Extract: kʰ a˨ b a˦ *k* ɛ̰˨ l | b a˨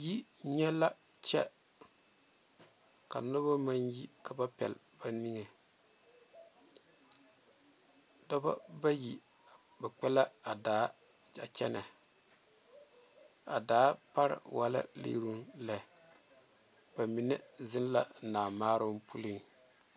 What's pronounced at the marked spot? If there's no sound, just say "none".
p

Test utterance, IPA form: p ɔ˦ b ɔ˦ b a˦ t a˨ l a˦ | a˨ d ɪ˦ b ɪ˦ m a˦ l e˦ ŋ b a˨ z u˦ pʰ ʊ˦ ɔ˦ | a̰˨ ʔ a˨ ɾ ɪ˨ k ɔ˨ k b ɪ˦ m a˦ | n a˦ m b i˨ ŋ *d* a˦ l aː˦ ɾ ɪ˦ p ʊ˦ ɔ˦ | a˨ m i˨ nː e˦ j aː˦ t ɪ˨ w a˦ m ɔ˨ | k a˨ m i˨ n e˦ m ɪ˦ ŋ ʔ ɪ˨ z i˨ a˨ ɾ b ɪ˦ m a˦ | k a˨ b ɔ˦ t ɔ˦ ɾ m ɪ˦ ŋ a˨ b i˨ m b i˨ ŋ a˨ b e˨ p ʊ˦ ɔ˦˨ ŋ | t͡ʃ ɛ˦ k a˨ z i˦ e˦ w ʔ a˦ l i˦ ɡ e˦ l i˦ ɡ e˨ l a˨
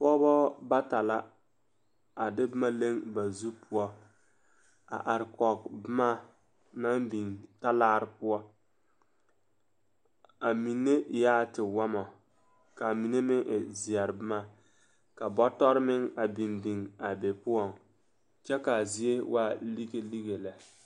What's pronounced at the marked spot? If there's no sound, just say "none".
t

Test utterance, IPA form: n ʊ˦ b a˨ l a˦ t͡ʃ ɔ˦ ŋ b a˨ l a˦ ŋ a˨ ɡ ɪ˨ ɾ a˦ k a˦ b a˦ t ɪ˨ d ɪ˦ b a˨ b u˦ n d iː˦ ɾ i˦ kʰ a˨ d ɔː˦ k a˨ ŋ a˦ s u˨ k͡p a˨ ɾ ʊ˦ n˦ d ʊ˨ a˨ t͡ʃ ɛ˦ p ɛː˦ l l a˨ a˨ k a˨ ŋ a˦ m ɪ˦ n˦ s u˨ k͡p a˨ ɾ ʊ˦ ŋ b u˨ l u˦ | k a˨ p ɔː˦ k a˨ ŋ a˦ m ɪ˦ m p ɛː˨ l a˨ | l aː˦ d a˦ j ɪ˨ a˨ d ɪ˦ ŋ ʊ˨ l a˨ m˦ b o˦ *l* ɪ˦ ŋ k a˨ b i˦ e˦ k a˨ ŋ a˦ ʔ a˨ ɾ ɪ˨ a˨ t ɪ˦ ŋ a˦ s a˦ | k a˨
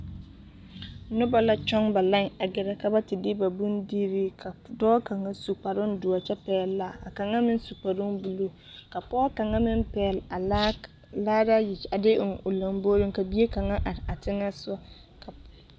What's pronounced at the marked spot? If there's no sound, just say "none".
ɾ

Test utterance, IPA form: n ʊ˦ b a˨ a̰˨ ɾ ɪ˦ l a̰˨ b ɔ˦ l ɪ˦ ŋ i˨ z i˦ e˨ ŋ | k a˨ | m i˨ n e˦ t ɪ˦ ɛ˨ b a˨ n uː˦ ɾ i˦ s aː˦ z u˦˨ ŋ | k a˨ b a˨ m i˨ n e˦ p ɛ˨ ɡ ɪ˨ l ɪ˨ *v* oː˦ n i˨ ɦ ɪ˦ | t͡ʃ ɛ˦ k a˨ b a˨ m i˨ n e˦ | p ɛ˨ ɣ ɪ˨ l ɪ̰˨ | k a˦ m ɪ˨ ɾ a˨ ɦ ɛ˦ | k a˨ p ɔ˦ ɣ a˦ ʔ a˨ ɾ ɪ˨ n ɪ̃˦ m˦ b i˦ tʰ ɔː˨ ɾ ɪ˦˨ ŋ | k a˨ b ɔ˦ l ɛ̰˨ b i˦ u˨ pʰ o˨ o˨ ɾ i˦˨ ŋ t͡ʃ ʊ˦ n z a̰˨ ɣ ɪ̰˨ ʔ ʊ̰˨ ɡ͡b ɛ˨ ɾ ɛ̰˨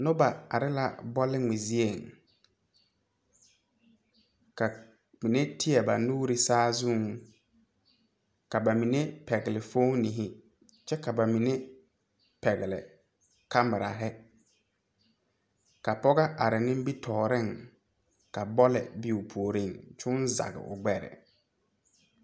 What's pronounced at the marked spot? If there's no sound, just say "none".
f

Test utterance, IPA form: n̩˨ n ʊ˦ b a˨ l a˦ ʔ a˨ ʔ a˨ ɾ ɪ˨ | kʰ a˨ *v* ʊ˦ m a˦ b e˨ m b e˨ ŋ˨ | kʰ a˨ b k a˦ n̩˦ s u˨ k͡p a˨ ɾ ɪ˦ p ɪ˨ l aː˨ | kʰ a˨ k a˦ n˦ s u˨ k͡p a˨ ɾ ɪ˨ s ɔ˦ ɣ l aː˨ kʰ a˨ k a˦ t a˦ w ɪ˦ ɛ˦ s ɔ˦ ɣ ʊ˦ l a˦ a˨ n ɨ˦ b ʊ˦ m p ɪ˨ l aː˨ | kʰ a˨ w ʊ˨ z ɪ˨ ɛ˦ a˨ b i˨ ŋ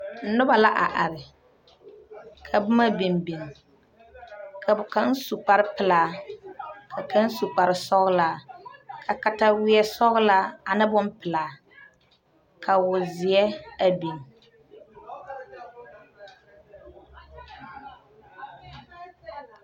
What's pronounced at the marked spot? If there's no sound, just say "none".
b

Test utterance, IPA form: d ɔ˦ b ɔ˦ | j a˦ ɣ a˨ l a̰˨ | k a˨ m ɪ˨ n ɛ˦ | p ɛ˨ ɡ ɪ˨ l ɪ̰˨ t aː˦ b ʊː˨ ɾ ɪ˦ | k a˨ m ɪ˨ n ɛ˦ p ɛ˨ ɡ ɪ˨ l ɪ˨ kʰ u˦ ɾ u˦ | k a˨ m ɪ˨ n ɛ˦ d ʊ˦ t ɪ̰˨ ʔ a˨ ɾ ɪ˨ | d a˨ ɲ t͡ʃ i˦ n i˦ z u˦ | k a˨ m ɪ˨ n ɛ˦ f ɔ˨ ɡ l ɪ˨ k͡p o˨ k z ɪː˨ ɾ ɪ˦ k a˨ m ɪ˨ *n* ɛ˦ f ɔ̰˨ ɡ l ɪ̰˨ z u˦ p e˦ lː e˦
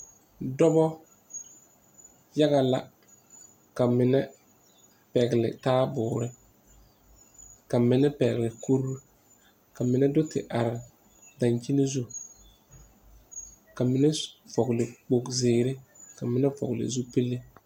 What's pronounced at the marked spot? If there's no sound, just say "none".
n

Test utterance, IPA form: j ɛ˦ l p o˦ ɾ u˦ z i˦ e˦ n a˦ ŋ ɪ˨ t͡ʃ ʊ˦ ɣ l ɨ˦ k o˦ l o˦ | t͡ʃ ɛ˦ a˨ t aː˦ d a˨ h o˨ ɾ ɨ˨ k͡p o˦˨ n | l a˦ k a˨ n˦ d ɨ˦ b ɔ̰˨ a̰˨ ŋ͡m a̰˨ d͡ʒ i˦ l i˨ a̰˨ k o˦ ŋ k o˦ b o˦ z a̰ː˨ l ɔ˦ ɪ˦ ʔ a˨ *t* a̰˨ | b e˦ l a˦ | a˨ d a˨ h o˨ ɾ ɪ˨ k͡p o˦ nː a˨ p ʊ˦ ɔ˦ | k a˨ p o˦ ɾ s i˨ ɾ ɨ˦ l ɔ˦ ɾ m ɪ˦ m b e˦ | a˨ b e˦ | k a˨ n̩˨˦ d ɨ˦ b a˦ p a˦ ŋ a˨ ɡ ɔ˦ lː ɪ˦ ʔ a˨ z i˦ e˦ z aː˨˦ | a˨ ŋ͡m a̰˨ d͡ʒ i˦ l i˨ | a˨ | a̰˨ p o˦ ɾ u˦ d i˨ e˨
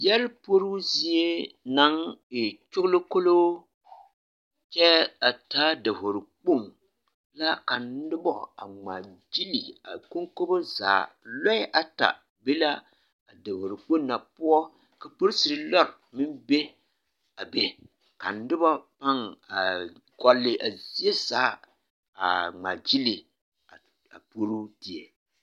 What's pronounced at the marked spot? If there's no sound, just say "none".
t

